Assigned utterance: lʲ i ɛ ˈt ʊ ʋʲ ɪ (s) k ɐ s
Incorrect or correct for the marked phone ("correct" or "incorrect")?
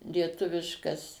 incorrect